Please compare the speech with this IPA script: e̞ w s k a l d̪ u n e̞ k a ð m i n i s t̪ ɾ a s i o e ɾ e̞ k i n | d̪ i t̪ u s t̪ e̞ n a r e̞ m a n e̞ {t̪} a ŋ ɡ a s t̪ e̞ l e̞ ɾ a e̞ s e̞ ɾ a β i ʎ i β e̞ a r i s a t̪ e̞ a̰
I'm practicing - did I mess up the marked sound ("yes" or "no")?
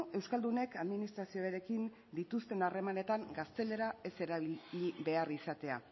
no